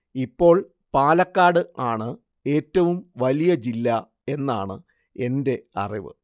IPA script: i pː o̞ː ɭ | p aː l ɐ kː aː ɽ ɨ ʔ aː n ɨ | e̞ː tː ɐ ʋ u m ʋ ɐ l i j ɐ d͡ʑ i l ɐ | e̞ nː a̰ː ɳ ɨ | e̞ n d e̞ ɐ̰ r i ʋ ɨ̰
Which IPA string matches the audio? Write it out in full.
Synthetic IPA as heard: i pː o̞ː ɭ | p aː l ɐ kː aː ɽ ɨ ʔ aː ɳ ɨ | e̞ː tː ɐ ʋ u m ʋ ɐ l i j ɐ d͡ʑ i lː ɐ | e̞ nː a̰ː ɳ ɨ | e̞ n d e̞ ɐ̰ r i ʋ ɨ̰